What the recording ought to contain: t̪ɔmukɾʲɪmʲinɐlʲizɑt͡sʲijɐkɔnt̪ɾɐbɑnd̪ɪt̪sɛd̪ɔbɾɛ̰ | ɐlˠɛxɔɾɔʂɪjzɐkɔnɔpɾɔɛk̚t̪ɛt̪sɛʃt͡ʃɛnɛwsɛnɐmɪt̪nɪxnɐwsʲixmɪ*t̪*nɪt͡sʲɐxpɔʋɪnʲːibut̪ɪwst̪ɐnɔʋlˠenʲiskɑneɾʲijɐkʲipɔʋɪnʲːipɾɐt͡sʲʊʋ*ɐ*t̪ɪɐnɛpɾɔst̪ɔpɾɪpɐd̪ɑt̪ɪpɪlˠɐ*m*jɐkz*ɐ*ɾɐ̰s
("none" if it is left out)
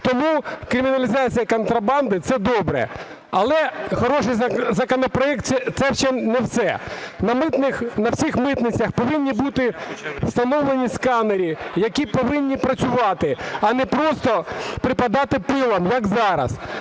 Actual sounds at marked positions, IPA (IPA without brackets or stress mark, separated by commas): t̪, ɑ, m, ɑ